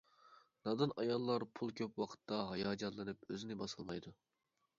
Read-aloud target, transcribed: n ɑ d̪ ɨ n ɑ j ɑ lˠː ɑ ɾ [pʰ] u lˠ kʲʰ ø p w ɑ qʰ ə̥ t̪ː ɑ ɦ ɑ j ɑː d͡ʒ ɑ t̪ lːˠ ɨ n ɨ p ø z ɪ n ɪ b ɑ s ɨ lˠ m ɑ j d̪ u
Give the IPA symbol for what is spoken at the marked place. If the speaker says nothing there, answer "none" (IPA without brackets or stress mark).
pʰ